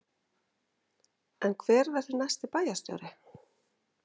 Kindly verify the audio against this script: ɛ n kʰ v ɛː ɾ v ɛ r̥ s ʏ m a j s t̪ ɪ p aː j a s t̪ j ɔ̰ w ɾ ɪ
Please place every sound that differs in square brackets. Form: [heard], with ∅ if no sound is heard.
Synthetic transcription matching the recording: ɛ n kʰ v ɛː ɾ v ɛ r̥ [θ] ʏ [n] a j s t̪ ɪ p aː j a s t̪ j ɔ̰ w ɾ ɪ